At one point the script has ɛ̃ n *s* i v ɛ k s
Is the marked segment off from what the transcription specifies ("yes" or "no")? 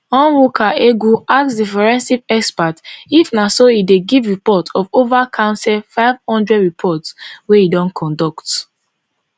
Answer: no